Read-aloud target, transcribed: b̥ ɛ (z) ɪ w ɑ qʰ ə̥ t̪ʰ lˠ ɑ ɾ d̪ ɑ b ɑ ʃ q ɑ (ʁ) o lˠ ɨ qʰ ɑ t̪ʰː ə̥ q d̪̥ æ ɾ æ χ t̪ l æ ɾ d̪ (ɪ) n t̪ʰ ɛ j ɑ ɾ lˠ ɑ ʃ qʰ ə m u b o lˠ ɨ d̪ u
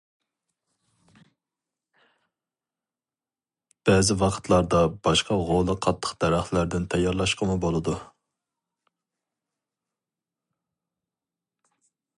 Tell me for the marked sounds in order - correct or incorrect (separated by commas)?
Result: correct, correct, correct